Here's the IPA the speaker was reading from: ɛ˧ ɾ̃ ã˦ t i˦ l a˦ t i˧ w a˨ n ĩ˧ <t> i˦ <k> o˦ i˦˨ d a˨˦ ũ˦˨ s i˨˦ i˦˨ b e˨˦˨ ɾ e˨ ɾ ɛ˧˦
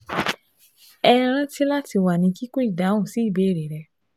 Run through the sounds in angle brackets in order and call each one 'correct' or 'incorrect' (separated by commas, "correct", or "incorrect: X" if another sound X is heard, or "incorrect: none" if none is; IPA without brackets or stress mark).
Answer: incorrect: k, correct